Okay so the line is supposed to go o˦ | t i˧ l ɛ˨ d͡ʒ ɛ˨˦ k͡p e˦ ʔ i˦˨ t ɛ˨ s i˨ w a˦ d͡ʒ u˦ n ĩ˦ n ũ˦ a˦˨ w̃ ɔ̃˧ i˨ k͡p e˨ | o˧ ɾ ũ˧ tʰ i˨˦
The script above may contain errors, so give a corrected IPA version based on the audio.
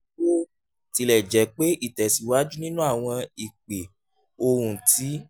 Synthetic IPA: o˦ | t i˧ l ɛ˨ d͡ʒ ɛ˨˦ k͡p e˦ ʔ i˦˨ t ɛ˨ s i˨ w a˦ d͡ʒ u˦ n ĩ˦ n ũ˦ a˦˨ w̃ ɔ̃˧ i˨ k͡p e˨ | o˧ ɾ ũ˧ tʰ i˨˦